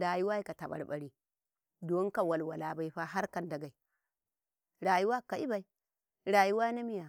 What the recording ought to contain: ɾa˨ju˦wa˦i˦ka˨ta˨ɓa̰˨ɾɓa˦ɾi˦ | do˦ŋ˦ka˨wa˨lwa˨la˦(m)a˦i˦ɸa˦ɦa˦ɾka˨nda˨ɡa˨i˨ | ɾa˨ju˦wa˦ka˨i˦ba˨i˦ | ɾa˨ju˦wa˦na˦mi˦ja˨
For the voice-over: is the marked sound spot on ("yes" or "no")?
no